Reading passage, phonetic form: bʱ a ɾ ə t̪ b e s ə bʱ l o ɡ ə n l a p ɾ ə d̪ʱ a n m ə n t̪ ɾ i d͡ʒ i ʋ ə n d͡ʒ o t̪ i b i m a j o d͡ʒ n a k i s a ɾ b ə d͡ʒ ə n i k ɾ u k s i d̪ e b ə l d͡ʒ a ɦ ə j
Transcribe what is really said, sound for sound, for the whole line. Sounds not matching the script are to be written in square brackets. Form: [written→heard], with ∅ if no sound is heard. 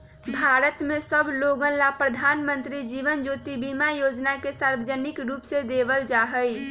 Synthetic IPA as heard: bʱ a ɾ ə t̪ [b→m] e s ə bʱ l o ɡ ə n l a p ɾ ə d̪ʱ a n m ə n t̪ ɾ i d͡ʒ i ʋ ə n d͡ʒ o t̪ i b i m a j o d͡ʒ n a k [i→e] s a ɾ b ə d͡ʒ ə n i k ɾ u [k→p] s [i→e] d̪ e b ə l d͡ʒ a ɦ ə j